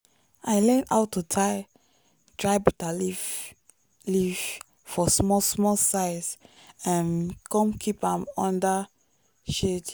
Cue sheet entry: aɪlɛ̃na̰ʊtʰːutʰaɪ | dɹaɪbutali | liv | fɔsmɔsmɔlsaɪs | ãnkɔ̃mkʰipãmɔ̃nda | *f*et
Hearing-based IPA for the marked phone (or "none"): ʃ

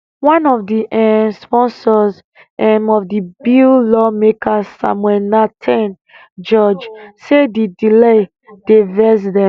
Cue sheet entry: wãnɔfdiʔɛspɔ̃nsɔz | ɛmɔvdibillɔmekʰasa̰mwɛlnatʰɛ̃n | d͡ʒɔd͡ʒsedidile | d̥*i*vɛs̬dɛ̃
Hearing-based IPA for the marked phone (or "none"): e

